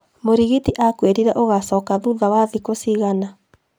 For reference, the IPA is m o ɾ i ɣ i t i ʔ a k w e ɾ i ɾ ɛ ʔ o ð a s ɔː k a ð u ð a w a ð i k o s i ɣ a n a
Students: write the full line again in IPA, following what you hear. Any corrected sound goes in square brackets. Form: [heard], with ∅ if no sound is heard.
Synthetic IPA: m o ɾ i ɣ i t i ʔ a k w e ɾ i ɾ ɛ ʔ o [ɣ] a s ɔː k a ð u ð a w a ð i k o s i ɣ a n a